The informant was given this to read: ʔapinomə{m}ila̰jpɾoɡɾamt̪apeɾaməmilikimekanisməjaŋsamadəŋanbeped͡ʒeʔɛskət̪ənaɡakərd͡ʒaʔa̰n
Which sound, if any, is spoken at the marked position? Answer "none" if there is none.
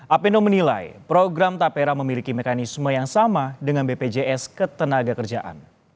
n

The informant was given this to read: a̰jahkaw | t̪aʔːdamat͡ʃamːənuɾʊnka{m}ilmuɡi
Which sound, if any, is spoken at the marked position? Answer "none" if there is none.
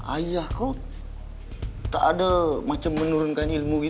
n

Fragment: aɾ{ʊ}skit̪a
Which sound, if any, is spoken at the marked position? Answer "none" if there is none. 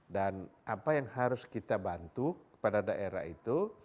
ʊ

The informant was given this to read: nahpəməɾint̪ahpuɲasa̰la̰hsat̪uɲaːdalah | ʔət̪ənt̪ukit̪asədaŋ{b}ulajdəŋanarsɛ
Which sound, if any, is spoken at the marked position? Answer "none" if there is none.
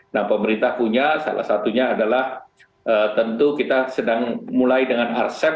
m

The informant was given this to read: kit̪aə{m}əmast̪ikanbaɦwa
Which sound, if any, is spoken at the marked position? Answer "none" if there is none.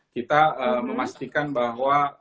m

